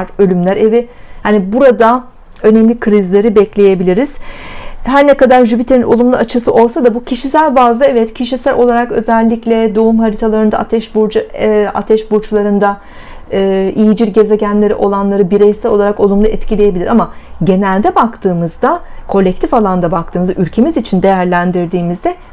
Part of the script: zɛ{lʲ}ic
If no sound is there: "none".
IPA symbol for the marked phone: lʲː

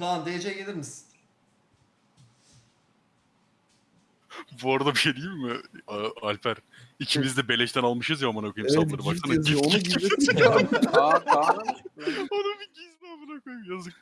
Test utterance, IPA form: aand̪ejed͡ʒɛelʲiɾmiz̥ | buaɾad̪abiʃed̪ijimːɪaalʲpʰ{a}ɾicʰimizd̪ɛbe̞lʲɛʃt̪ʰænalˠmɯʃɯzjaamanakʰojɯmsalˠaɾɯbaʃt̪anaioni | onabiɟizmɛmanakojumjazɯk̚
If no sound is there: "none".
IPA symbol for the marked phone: æ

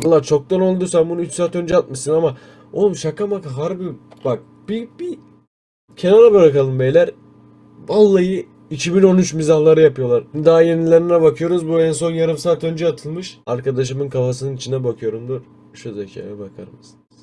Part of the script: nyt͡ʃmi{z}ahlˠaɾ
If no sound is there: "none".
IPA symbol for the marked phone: z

